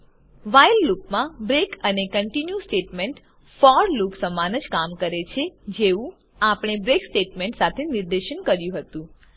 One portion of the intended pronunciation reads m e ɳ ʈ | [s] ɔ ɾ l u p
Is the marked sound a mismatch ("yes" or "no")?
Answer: yes